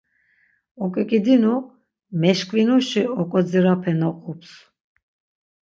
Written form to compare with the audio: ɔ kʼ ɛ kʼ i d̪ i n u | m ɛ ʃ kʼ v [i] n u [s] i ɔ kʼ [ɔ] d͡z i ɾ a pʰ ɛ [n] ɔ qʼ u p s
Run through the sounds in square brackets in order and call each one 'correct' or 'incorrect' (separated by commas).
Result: correct, incorrect, correct, correct